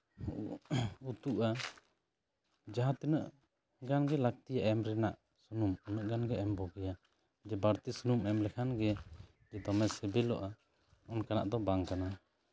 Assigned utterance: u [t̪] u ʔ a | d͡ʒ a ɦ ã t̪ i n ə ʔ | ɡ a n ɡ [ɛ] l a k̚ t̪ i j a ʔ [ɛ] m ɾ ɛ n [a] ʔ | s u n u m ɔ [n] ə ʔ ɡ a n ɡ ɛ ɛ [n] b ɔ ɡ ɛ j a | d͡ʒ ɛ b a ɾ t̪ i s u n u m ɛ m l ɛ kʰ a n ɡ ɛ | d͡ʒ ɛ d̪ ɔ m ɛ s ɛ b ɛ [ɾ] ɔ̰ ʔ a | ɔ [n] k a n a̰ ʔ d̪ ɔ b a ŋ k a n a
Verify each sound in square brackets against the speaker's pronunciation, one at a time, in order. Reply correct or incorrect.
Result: correct, correct, correct, correct, correct, incorrect, incorrect, correct

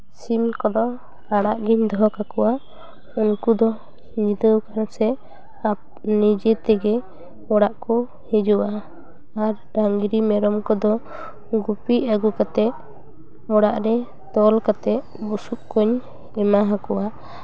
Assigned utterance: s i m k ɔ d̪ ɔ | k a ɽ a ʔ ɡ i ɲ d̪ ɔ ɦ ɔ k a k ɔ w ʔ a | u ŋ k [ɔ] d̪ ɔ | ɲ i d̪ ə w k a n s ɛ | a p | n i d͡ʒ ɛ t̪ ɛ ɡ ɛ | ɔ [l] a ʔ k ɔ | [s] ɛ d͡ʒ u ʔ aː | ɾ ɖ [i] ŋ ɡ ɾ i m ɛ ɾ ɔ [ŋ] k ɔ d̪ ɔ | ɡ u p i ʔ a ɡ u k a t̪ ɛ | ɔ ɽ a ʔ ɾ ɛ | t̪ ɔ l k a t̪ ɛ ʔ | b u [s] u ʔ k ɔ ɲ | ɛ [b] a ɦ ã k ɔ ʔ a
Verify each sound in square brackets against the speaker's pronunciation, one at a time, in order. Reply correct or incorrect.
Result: incorrect, incorrect, incorrect, incorrect, incorrect, correct, incorrect

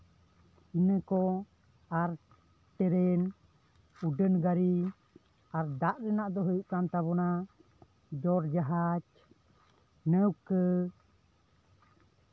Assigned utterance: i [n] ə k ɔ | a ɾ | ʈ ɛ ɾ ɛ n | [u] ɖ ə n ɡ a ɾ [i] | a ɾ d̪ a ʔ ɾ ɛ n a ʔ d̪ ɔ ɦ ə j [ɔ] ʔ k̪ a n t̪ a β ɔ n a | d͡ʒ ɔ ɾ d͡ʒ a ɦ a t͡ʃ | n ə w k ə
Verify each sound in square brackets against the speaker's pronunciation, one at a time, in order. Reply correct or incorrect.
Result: correct, correct, correct, incorrect

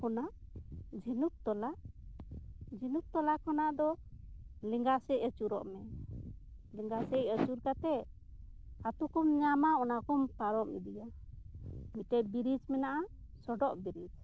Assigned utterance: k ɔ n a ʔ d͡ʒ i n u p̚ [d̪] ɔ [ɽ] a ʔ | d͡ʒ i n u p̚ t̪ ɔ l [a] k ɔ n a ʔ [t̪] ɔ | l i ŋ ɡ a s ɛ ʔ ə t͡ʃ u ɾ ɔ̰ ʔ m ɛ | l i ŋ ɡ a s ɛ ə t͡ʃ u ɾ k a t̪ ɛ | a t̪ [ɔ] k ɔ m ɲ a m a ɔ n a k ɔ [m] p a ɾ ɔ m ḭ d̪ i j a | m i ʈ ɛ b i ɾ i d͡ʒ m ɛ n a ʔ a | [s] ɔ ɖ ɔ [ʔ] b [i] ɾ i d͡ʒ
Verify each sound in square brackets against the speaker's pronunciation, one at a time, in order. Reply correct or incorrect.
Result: incorrect, incorrect, correct, incorrect, incorrect, correct, correct, correct, correct

